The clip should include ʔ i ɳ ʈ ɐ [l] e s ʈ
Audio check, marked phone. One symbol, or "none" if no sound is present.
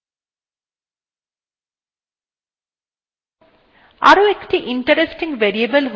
ɾ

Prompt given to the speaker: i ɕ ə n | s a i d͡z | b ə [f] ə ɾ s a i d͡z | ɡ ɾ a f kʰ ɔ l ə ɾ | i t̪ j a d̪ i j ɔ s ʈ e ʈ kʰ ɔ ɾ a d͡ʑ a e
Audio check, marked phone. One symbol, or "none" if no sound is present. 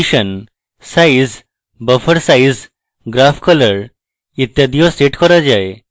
f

